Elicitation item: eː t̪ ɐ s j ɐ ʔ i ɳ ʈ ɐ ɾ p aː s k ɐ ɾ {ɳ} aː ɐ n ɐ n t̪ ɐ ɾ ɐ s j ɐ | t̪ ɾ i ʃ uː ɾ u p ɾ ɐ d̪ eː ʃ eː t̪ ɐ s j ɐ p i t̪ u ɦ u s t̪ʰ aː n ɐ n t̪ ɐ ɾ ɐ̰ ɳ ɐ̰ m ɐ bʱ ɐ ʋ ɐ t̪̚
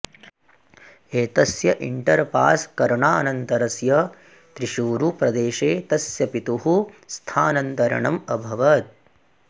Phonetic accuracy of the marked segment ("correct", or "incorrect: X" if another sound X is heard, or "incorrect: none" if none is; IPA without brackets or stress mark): correct